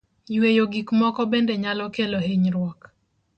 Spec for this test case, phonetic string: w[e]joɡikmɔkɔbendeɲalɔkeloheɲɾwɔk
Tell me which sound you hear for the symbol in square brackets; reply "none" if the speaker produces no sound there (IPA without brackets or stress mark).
e